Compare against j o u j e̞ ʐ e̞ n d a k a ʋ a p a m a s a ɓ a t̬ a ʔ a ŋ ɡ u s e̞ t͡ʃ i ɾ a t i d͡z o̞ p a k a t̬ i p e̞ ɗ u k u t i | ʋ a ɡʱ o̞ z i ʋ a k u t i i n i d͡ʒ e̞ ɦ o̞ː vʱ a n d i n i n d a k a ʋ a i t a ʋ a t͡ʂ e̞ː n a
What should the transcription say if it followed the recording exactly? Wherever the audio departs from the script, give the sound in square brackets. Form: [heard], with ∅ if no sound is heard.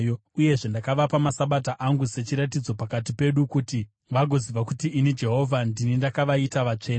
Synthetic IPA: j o u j e̞ ʐ e̞ n d a k a ʋ a p a m a s a ɓ a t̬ a ʔ a ŋ ɡ u s e̞ t͡ʃ i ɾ a t i d͡z o̞ p a k a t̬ i p e̞ ɗ u k u t i | ʋ a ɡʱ o̞ z i ʋ a k u t i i n i d͡ʒ e̞ ɦ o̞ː vʱ a n d i n i n d a k a ʋ a i t a ʋ a t͡ʂ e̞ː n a